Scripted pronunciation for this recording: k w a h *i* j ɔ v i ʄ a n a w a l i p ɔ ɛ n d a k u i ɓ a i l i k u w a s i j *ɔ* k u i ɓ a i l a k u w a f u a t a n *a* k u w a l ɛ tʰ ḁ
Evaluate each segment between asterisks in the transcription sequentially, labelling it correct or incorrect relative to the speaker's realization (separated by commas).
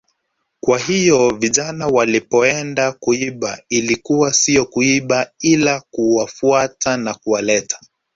correct, correct, correct